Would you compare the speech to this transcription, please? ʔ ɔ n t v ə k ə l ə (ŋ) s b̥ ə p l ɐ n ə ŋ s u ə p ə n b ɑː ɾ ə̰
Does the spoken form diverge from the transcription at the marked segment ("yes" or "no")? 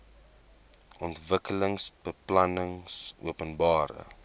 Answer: no